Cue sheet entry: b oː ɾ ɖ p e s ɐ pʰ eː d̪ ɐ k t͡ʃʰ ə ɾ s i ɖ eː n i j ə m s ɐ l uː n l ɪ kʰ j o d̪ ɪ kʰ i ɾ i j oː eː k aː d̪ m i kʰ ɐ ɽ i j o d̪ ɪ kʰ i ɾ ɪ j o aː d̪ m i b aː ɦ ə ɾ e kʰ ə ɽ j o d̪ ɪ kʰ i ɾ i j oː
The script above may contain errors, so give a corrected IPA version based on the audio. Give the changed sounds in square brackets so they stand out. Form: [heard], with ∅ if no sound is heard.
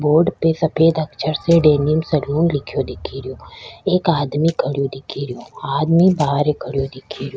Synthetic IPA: b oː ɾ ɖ p e s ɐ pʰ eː d̪ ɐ k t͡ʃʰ ə ɾ s [e] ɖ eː n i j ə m s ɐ l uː n l ɪ kʰ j o d̪ ɪ kʰ i ɾ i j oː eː k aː d̪ m i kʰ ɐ ɽ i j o d̪ ɪ kʰ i ɾ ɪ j o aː d̪ m i b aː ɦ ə ɾ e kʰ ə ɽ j o d̪ ɪ kʰ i ɾ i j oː

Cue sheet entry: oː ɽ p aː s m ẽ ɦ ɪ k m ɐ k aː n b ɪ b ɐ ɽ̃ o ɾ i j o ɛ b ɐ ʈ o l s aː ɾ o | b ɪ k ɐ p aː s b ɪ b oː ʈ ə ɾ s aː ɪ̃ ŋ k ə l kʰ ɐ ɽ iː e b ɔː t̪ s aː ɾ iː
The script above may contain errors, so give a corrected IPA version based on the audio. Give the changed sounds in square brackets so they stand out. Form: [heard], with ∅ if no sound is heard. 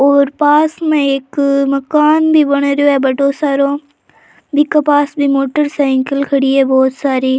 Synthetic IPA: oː [ɾ] p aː s m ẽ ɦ ɪ k m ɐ k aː n b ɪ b ɐ ɽ̃ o ɾ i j o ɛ b ɐ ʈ o [∅] s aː ɾ o | b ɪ k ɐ p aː s b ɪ [m] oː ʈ ə ɾ s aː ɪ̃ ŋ k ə l kʰ ɐ ɽ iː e b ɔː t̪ s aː ɾ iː

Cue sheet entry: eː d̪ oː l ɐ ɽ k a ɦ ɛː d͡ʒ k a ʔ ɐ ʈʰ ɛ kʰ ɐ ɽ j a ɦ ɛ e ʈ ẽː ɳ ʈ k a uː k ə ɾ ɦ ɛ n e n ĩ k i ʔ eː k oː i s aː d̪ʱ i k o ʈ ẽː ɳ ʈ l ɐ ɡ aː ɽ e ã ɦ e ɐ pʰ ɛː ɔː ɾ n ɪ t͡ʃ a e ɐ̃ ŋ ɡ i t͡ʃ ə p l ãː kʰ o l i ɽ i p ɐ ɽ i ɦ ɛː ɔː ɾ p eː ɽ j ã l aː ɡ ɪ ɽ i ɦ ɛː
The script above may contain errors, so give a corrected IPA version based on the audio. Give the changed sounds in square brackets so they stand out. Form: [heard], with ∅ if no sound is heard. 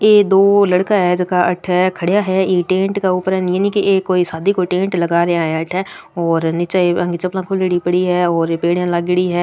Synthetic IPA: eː d̪ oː l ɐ ɽ k a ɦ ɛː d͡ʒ k a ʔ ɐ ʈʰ ɛ kʰ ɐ ɽ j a ɦ ɛ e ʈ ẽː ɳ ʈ k a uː [p] ə ɾ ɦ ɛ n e n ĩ k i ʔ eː k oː i s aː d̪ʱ i k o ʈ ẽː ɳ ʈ l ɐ ɡ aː [ɾ] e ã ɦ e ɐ [ʈʰ] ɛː ɔː ɾ n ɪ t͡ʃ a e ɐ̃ ŋ ɡ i t͡ʃ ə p l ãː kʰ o l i ɽ i p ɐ ɽ i ɦ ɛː ɔː ɾ p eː ɽ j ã l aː ɡ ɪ ɽ i ɦ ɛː

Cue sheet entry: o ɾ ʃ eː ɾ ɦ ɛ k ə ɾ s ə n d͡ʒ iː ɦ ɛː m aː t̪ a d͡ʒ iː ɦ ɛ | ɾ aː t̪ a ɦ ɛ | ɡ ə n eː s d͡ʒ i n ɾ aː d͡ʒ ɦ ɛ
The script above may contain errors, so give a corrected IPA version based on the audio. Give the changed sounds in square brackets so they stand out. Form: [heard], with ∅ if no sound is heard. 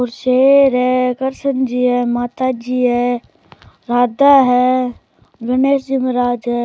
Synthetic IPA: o ɾ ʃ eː ɾ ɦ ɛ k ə ɾ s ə n d͡ʒ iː ɦ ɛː m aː t̪ a d͡ʒ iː ɦ ɛ | ɾ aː [d̪] a ɦ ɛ | ɡ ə n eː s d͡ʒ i [m] ɾ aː d͡ʒ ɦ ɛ

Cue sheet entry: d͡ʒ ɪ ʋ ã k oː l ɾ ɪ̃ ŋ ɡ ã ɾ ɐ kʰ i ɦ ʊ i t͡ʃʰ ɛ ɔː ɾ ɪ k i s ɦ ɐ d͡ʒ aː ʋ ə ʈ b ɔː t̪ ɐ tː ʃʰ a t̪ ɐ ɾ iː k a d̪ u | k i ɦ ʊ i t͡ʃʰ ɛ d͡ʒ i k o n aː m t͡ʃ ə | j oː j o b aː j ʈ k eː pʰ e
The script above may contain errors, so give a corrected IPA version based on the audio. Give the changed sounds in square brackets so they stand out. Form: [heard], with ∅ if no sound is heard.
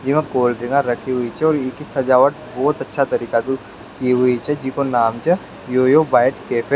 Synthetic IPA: d͡ʒ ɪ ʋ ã k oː l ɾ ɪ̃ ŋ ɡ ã ɾ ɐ kʰ i ɦ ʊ i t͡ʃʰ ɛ ɔː ɾ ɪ k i s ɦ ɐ d͡ʒ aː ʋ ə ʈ b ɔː t̪ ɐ tː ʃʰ a t̪ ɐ ɾ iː k a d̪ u | k i ɦ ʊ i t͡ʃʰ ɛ d͡ʒ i k o n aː m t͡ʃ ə | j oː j o b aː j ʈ k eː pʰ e

